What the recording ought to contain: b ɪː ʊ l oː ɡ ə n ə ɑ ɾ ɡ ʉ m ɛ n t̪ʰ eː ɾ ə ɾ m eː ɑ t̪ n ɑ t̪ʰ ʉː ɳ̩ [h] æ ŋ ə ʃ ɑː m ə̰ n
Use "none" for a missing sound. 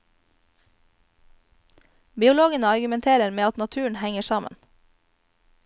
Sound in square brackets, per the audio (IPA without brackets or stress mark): h